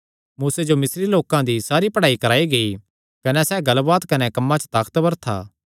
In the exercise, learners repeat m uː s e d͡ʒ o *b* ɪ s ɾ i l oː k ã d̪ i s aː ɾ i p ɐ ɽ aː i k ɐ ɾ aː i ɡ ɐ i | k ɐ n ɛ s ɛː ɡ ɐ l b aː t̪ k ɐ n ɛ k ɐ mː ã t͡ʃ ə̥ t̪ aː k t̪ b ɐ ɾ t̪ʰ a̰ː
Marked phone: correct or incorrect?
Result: incorrect